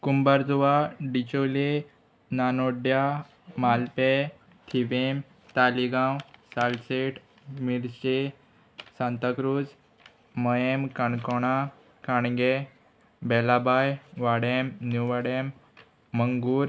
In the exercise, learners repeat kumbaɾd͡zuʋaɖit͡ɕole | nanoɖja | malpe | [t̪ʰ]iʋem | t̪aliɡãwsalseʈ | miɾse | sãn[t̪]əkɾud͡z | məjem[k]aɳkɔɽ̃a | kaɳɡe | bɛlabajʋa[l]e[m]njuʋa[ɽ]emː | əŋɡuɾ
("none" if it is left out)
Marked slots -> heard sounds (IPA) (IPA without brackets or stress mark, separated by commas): t̪ʰ, t̪, k, ɽ, m, ɽ